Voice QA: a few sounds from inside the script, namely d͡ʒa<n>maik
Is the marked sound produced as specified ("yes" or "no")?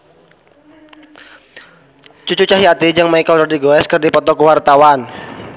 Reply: no